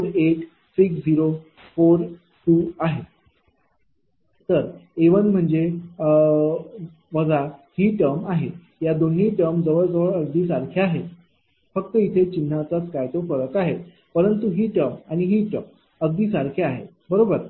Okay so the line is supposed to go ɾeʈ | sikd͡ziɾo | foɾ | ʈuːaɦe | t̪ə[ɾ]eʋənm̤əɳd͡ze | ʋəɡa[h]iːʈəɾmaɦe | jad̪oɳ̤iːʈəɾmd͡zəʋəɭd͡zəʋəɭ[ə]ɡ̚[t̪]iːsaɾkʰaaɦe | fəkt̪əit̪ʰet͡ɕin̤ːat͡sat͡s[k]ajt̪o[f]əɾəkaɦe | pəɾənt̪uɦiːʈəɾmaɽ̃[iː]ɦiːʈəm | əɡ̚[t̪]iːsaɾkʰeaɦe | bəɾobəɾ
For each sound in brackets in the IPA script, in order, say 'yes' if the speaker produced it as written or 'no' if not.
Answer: yes, yes, yes, no, yes, yes, no, no

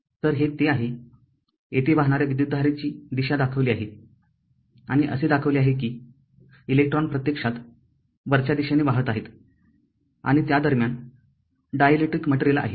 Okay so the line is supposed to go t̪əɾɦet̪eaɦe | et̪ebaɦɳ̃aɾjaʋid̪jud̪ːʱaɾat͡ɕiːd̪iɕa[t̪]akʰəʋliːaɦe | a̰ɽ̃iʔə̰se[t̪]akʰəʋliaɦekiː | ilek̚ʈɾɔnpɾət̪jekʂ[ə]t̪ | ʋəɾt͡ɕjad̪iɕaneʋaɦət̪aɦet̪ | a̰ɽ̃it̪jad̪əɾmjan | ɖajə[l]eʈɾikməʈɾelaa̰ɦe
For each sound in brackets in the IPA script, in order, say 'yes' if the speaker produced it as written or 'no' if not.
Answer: no, no, no, yes

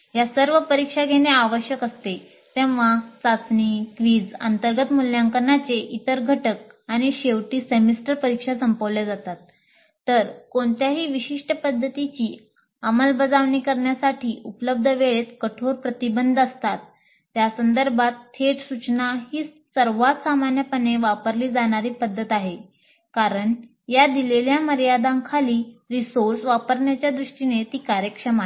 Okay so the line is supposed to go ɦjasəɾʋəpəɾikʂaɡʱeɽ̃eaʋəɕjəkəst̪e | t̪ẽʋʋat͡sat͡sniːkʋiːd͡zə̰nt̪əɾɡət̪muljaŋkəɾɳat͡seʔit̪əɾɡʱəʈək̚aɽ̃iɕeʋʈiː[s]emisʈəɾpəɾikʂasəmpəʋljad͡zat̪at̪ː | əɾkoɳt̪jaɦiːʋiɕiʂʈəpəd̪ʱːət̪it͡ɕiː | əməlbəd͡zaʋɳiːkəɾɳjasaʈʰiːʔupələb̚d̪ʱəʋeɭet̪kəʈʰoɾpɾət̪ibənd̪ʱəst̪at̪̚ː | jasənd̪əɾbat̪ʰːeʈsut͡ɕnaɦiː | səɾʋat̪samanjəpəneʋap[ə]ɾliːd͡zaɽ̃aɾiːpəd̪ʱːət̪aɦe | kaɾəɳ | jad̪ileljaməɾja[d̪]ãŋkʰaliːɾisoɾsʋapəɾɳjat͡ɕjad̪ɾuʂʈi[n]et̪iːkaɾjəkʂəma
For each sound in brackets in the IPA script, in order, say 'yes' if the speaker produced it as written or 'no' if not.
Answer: yes, yes, yes, yes

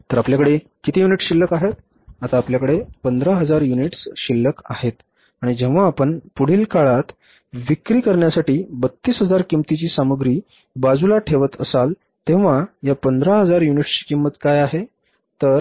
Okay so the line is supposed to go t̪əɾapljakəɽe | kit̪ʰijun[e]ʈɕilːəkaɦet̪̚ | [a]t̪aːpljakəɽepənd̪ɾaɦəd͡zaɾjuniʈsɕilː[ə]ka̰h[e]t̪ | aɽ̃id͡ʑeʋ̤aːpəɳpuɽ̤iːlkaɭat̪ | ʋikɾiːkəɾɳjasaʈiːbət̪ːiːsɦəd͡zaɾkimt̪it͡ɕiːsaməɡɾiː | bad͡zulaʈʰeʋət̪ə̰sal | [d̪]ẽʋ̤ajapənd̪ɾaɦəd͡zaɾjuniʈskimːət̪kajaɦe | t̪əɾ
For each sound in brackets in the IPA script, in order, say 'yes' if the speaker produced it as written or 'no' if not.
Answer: no, yes, yes, yes, no

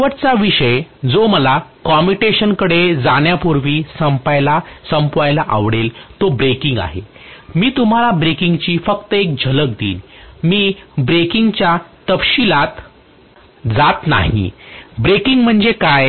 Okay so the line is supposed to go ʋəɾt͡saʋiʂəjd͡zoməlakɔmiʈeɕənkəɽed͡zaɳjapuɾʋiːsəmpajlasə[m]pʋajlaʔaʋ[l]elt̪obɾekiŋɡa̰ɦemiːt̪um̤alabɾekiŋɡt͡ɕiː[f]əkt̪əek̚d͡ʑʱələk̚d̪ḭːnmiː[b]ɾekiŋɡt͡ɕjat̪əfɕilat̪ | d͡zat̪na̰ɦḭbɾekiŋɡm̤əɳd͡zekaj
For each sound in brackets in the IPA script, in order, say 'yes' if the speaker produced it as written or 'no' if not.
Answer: yes, no, yes, yes

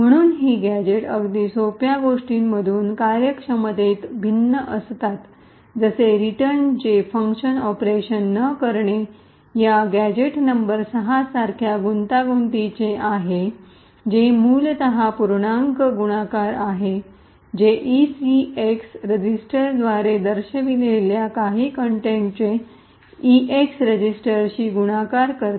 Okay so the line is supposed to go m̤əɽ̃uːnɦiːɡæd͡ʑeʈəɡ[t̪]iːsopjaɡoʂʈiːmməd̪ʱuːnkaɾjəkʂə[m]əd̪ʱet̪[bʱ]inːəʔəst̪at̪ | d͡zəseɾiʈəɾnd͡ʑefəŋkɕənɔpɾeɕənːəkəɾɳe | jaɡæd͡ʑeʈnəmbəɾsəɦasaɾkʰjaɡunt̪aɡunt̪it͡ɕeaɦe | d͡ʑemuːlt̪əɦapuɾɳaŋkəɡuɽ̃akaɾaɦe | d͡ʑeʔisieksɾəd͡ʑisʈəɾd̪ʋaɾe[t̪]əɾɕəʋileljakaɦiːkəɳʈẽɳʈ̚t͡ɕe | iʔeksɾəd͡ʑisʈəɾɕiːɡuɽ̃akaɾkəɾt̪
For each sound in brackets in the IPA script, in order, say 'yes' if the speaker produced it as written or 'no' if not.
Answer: no, yes, yes, no

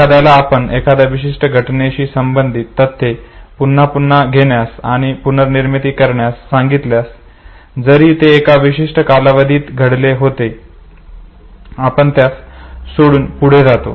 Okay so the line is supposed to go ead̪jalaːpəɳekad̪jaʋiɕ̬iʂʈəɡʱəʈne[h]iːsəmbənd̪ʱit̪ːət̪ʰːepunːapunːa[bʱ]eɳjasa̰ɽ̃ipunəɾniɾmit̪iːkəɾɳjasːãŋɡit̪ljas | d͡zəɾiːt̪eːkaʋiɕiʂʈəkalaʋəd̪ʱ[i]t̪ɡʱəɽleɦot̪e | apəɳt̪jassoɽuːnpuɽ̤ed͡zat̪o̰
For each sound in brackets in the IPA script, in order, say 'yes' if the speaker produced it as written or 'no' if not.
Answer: no, no, no

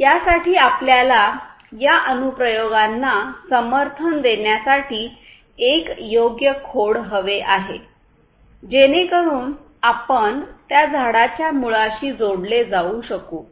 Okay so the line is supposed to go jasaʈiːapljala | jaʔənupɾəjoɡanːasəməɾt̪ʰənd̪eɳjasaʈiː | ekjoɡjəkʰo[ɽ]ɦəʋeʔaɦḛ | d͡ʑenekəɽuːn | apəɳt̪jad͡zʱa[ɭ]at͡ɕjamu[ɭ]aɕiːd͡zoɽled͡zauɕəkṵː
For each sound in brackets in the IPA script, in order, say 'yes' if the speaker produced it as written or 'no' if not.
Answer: yes, no, yes

